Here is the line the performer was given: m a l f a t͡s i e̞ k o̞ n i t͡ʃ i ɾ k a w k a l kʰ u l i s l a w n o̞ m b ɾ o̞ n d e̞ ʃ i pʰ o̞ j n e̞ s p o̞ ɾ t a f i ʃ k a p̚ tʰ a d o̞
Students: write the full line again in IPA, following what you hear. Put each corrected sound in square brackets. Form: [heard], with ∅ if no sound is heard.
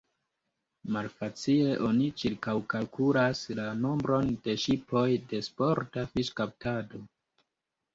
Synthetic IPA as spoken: m a l f a t͡s i e̞ [ʔ] o̞ n i t͡ʃ i ɾ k a w k a l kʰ u l [a] s l a [∅] n o̞ m b ɾ o̞ n d e̞ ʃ i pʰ o̞ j [d] e̞ s p o̞ ɾ t a f i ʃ k a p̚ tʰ a d o̞